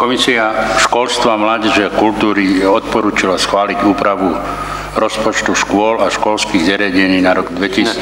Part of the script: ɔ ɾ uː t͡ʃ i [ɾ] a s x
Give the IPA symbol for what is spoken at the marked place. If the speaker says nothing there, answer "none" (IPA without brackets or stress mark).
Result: l